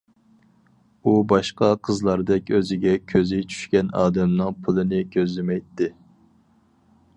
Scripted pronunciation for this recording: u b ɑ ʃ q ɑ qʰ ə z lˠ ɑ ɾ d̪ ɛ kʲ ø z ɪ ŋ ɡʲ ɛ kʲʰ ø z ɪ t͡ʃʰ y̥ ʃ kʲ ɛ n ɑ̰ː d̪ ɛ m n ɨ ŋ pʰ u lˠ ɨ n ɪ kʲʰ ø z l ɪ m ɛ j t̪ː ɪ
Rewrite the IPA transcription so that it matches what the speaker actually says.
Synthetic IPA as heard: u b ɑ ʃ q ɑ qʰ ə z lˠ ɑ ɾ d̪ ɛ kʲ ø z ɪ ɡʲ ɛ kʲʰ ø z ɪ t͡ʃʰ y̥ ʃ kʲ ɛ n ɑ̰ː d̪ ɛ m n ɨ ŋ pʰ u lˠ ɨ n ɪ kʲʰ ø z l ɪ m ɛ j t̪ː ɪ